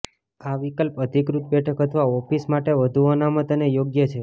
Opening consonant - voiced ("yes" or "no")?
yes